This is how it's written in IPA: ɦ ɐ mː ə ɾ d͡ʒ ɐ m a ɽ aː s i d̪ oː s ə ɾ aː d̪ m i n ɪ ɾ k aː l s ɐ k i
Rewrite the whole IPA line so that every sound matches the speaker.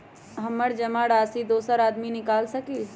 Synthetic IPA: ɦ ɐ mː ə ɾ d͡ʒ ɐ m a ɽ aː s i d̪ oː s ə ɾ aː d̪ m i n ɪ k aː l s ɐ k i